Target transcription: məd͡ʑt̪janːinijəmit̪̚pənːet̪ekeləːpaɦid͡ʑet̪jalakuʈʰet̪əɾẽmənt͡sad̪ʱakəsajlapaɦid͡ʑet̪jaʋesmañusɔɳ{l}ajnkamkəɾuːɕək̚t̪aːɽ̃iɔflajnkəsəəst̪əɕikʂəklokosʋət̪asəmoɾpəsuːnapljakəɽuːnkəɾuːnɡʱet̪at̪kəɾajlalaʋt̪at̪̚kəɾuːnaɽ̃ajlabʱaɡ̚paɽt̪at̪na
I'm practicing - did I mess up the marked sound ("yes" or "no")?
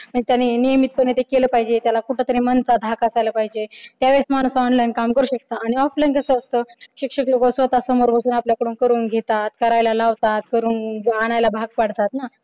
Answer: no